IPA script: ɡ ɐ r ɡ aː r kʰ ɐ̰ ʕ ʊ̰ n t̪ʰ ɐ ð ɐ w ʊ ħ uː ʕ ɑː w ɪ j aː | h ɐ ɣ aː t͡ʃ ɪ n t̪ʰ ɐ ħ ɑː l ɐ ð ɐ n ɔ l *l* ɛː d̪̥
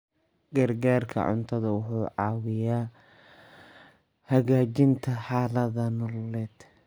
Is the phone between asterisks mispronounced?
no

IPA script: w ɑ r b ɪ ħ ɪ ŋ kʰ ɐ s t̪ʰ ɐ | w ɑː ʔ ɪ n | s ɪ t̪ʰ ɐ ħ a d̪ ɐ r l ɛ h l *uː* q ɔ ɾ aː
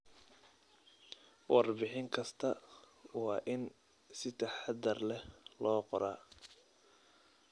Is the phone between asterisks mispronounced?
yes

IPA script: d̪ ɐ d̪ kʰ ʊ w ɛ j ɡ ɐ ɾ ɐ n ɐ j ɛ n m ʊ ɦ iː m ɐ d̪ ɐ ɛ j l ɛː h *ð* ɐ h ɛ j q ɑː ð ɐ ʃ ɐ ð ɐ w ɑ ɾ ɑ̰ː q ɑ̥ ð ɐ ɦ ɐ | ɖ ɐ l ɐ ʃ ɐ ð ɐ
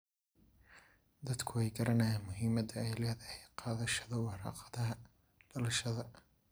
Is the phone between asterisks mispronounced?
no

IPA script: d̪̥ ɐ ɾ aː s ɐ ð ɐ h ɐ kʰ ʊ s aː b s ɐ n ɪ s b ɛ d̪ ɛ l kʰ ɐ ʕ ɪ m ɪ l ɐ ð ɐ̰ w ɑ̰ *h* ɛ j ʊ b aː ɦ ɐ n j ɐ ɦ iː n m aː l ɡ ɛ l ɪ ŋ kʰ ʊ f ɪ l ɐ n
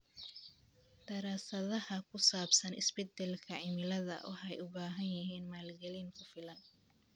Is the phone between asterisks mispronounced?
yes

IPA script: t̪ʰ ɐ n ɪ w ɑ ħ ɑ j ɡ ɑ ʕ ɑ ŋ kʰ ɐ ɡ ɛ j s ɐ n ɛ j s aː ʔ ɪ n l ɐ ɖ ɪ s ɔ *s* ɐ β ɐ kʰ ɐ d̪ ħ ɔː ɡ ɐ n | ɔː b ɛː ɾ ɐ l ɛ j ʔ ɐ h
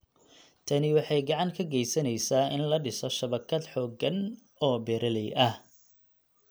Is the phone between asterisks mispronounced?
yes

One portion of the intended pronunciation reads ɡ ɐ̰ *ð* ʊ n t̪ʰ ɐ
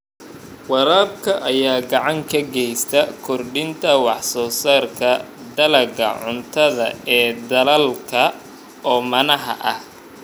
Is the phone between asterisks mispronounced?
yes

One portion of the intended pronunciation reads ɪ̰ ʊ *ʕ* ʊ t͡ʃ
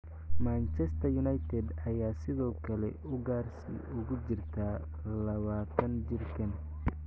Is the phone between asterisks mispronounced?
yes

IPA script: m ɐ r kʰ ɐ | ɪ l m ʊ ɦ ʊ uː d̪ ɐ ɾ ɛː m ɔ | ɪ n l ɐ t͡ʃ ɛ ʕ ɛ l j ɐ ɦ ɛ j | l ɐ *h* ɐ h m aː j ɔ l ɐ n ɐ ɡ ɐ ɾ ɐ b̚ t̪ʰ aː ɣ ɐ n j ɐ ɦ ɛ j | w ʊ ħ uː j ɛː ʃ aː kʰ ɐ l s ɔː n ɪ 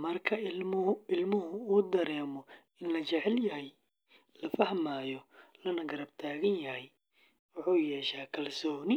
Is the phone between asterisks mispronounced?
yes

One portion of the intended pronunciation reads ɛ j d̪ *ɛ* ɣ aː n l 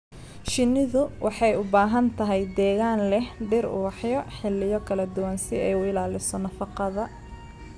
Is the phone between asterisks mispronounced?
yes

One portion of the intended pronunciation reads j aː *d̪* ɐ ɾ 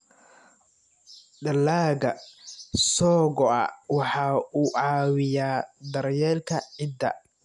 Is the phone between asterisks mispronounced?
no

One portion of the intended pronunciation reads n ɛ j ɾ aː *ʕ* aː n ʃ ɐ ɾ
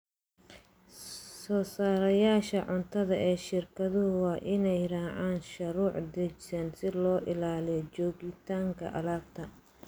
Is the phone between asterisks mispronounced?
no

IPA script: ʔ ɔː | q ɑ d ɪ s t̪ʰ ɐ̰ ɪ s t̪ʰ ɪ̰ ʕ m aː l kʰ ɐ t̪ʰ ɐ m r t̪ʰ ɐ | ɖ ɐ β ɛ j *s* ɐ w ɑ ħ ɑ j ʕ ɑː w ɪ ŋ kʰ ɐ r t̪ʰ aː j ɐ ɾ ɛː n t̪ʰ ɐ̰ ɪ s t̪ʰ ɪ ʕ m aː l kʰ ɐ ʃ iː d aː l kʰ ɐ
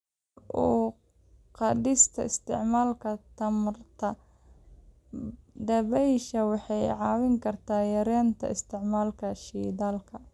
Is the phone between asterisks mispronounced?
yes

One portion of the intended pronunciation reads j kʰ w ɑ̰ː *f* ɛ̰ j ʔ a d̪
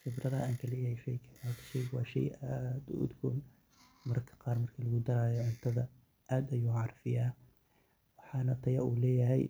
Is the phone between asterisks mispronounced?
yes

